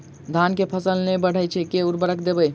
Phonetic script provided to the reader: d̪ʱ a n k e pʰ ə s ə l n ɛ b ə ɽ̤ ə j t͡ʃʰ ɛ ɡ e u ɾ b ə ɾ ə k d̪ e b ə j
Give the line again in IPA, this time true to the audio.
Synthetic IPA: d̪ʱ a n k e pʰ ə s ə l n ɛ b ə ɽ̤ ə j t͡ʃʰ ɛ k e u ɾ b ə ɾ ə k d̪ e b ə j